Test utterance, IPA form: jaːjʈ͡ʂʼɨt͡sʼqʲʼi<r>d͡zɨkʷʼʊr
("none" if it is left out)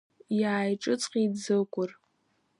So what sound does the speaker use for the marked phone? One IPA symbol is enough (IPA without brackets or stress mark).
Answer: none